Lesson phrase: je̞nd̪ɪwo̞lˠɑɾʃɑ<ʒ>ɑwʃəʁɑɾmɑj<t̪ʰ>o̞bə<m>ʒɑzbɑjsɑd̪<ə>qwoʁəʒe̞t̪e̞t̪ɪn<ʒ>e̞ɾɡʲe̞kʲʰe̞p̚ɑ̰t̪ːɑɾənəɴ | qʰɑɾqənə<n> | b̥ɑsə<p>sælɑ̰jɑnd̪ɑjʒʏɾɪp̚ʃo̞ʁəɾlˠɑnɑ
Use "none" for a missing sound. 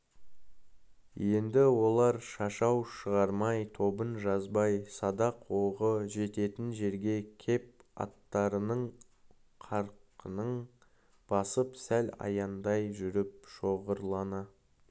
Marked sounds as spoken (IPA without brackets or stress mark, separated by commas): ʃ, t̪ʰ, n, ɑ, ʒ, ɴ, p